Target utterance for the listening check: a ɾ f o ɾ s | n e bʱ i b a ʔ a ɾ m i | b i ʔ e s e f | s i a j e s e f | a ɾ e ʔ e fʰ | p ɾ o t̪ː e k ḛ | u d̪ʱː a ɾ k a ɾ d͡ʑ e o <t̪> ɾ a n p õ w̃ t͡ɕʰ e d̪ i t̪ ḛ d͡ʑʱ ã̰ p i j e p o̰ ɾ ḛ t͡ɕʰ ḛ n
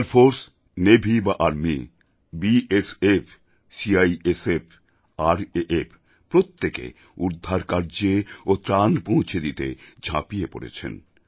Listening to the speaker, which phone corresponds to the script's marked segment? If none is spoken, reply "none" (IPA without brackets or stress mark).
t̪